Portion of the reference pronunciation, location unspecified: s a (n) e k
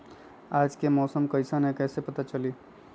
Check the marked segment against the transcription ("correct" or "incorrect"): correct